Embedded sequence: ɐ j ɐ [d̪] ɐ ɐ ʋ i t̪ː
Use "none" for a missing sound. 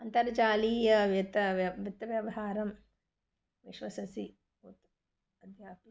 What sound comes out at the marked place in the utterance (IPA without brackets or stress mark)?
t̪